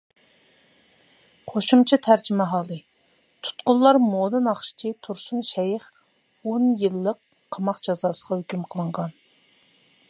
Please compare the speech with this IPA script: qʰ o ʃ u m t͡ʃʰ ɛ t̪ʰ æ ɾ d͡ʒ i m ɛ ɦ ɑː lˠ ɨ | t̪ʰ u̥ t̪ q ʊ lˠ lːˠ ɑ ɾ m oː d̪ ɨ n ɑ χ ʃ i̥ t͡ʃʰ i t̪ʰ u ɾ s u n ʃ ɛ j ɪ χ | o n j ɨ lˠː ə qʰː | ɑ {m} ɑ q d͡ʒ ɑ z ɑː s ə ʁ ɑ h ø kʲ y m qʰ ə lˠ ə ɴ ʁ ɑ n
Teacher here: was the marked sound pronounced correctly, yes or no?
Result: yes